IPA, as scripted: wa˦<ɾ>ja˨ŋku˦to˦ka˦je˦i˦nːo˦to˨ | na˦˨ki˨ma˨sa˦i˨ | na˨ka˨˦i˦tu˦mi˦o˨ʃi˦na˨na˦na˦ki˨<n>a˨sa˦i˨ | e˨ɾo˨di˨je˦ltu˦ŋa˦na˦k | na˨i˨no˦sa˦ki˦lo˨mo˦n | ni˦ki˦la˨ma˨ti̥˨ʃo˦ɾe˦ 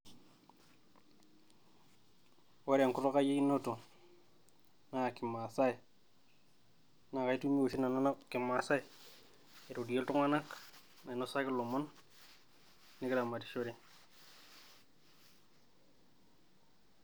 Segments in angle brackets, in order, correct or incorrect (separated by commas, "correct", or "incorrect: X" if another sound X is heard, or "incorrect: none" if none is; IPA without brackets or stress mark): correct, incorrect: m